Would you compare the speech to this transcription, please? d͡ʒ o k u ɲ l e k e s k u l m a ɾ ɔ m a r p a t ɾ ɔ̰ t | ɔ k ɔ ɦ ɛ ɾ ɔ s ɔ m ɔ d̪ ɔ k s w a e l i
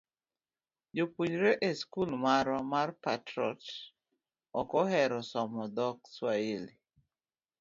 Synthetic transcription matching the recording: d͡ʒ o p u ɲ ɾ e ʔ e s k u l m a ɾ ɔ m a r p a t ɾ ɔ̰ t | ɔ k ɔ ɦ ɛ ɾ ɔ s ɔ m ɔ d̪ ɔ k s w a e l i